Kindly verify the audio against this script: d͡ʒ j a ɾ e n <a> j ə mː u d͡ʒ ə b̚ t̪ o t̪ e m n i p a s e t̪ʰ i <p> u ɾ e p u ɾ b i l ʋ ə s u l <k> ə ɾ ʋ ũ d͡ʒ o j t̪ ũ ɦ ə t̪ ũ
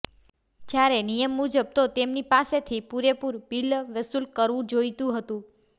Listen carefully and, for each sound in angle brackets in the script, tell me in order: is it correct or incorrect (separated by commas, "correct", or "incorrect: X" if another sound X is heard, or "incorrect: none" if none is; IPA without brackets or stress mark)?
incorrect: i, correct, correct